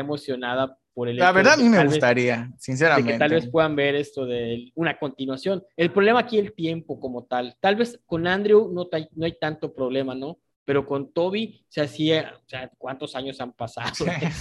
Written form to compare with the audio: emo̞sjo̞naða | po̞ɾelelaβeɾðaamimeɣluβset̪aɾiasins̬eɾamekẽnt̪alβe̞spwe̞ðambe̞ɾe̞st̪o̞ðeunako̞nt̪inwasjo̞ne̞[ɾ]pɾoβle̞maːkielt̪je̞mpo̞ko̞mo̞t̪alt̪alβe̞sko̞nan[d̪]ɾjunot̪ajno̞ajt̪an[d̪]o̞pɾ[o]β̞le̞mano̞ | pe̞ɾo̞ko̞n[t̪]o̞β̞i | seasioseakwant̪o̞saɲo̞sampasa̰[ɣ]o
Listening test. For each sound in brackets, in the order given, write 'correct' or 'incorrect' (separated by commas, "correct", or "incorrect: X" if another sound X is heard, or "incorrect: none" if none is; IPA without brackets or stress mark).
incorrect: l, correct, incorrect: t̪, correct, correct, incorrect: ð